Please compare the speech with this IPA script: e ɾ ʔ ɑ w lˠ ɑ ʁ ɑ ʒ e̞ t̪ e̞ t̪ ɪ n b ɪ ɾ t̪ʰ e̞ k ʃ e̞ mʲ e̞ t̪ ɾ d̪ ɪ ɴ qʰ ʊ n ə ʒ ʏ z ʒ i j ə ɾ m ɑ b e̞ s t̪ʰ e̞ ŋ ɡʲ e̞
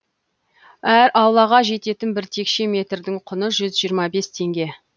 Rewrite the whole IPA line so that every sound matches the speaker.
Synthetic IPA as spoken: æ ɾ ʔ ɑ w lˠ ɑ ʁ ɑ ʒ e̞ t̪ e̞ t̪ ɪ n b ɪ ɾ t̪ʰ e̞ k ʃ e̞ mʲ e̞ t̪ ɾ d̪ ɪ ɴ qʰ ʊ n ə ʒ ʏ z ʒ i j ə ɾ m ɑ b e̞ s t̪ʰ e̞ ŋ ɡʲ e̞